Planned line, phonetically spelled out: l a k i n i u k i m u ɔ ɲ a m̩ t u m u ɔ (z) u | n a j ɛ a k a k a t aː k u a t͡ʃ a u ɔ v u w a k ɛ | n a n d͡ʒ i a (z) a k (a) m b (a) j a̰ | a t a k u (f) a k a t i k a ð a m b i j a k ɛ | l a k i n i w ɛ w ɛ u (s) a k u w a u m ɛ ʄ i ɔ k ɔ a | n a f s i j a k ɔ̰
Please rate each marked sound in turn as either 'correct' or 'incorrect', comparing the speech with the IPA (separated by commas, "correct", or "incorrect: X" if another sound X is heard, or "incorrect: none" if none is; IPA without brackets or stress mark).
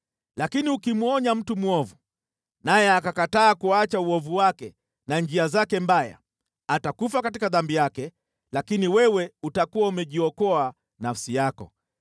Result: incorrect: v, correct, incorrect: ɛ, correct, correct, incorrect: t